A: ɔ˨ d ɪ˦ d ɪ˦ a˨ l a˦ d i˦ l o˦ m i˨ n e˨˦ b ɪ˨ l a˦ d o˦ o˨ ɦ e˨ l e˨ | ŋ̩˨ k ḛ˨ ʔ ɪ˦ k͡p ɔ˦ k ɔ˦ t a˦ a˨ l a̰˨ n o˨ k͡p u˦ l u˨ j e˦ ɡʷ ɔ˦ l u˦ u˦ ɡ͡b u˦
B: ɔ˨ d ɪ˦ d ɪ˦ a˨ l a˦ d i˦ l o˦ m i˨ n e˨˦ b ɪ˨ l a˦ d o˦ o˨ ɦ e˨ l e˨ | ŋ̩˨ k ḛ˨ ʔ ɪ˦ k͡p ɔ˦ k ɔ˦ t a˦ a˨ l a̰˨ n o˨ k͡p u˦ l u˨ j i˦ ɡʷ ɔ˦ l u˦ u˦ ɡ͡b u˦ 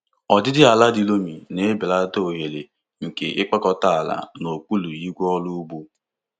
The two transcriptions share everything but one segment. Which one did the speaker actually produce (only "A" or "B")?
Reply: B